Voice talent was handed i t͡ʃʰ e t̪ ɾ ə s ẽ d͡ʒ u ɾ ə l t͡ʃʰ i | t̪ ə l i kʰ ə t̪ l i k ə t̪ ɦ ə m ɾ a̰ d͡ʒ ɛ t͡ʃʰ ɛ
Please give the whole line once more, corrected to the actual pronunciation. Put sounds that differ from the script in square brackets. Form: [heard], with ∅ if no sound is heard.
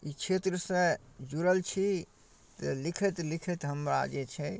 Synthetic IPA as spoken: i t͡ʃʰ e t̪ ɾ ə s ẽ d͡ʒ u ɾ ə l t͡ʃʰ i | t̪ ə l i kʰ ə t̪ l i [kʰ] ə t̪ ɦ ə m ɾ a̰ d͡ʒ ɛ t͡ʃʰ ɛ